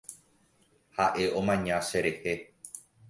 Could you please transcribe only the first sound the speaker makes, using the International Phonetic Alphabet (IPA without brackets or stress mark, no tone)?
h